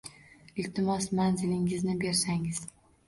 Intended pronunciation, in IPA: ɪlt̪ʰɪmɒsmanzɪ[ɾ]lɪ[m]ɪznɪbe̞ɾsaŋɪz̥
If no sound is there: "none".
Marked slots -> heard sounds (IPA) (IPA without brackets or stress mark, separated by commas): none, ŋ